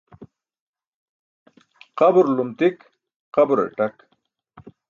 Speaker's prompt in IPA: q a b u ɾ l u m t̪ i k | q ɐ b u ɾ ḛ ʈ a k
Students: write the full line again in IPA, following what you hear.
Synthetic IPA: q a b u ɾ l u m t̪ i k | q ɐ b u ɾ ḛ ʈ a k